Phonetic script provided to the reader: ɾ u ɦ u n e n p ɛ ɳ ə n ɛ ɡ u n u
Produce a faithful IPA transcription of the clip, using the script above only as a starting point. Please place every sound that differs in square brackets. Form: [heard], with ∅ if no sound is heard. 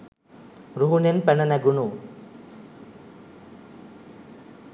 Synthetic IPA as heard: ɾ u ɦ u n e n p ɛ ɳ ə n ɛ ɡ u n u